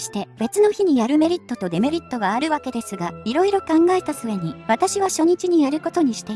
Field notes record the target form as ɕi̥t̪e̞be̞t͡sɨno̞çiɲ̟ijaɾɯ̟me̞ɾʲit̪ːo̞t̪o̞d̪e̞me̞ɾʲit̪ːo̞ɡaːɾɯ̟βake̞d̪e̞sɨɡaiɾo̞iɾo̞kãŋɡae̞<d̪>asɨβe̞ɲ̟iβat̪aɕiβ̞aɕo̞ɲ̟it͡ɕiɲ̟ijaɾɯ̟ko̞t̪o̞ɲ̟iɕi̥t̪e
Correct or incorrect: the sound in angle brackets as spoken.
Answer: incorrect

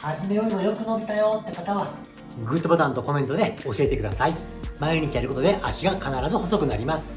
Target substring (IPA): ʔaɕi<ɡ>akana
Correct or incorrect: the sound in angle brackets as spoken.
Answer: correct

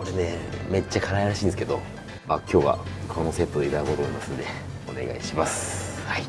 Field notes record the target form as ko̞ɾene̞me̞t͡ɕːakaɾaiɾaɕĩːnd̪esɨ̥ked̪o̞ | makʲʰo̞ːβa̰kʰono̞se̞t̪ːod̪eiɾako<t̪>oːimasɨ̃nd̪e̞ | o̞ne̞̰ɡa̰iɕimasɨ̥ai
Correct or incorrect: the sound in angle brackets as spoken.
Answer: correct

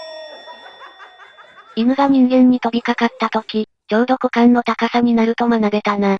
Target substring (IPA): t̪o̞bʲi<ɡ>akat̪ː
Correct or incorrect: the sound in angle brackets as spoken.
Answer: incorrect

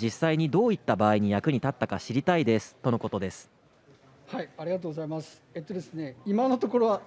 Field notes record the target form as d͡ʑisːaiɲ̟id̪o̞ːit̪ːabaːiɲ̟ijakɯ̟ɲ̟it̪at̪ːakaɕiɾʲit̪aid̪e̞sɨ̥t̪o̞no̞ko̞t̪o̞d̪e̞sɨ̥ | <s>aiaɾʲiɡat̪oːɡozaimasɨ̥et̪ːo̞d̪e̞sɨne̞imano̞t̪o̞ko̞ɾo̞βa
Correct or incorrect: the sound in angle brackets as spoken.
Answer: incorrect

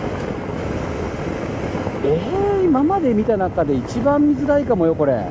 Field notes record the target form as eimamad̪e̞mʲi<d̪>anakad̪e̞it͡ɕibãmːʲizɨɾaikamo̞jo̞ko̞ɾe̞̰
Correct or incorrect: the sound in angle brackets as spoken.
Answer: incorrect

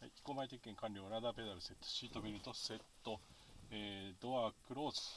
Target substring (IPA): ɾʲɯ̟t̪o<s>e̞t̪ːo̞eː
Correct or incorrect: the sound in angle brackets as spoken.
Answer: correct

